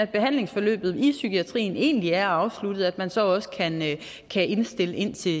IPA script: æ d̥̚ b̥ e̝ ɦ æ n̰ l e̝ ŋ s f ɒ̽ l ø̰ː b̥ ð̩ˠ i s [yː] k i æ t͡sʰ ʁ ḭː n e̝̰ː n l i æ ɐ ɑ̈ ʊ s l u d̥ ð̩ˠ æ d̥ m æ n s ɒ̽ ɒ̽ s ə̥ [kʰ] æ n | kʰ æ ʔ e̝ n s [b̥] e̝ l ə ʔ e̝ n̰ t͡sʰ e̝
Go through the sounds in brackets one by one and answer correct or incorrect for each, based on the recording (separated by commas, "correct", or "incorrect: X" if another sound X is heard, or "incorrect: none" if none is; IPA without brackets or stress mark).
incorrect: y, correct, incorrect: d̥